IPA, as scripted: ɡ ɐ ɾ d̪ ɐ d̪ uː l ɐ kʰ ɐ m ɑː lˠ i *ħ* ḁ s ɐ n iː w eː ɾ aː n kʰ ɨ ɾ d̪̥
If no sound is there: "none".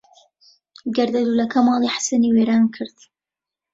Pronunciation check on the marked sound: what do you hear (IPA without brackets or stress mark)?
ħ